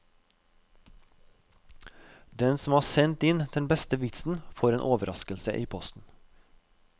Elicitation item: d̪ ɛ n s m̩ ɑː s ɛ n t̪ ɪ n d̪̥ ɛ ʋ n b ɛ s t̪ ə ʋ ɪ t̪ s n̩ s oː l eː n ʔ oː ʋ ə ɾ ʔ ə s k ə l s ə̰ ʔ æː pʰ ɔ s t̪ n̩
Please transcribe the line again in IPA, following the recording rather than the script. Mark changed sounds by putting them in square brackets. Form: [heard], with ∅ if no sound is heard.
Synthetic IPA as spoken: d̪ ɛ n s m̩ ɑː s ɛ n t̪ ɪ n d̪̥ ɛ [∅] n b ɛ s t̪ ə ʋ ɪ t̪ s n̩ [f] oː [ɾ] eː n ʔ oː ʋ ə ɾ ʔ [ɑ] s k ə l s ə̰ ʔ [iː] pʰ ɔ s t̪ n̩